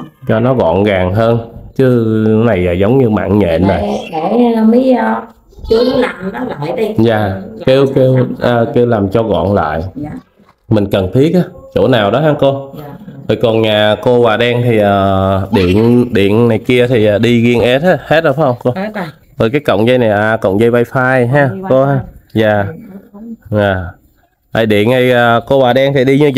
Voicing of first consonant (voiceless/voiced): voiceless